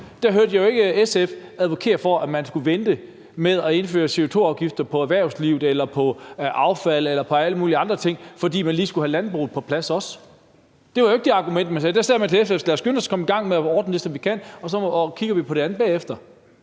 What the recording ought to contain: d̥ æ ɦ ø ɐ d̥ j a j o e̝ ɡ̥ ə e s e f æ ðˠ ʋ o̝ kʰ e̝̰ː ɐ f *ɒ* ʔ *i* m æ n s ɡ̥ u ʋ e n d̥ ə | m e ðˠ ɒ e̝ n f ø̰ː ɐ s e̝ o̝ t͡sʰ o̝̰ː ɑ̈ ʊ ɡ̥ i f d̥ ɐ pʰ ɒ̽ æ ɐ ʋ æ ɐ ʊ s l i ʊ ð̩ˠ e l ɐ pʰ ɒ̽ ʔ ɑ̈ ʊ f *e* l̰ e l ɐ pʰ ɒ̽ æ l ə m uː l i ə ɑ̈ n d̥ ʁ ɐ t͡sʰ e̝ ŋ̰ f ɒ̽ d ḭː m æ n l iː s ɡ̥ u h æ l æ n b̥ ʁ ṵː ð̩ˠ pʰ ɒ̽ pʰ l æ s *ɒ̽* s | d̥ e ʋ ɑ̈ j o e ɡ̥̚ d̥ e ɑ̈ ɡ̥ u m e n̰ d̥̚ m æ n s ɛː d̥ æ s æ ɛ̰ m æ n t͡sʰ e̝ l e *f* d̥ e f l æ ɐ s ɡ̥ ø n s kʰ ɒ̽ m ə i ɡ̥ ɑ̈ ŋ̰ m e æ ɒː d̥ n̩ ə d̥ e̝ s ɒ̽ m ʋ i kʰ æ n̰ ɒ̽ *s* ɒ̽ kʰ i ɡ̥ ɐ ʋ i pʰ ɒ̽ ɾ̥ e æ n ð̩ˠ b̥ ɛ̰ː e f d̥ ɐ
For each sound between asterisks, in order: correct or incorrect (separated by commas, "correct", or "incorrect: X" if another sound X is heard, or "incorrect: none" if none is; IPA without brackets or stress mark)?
correct, incorrect: æ, incorrect: æ, correct, correct, correct